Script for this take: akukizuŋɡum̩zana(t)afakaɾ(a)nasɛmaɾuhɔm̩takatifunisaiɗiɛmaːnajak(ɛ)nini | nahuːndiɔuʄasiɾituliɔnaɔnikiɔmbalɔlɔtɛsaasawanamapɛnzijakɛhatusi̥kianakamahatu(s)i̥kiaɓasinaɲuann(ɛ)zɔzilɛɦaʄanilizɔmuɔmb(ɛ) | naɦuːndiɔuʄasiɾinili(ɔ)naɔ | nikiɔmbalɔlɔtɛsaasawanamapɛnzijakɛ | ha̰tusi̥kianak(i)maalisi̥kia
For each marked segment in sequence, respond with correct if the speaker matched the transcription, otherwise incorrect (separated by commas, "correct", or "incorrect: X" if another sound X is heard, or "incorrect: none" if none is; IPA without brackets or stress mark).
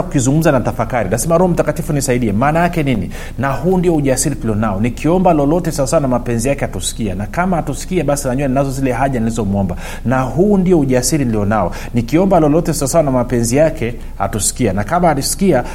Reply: correct, incorrect: i, correct, correct, incorrect: a, incorrect: a, correct, incorrect: a